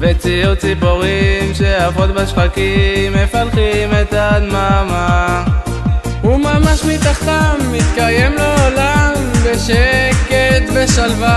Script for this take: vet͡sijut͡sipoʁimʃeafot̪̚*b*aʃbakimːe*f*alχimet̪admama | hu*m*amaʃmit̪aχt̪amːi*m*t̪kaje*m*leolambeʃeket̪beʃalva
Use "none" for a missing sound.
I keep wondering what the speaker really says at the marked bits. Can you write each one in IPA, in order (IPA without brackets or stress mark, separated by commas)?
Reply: b, f, m, none, m